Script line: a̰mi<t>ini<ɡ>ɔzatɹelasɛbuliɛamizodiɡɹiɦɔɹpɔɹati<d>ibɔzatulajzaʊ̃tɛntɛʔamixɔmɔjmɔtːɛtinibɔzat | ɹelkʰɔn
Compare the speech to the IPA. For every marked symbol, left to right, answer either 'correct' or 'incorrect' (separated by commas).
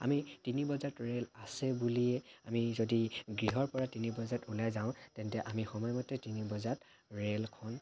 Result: correct, incorrect, incorrect